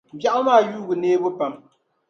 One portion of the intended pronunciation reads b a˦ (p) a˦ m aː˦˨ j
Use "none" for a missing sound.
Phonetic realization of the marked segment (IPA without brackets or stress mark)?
ʔ